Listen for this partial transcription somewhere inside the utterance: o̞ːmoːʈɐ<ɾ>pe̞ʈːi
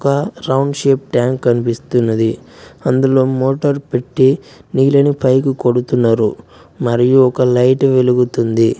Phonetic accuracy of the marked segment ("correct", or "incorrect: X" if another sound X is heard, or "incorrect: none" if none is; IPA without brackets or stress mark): correct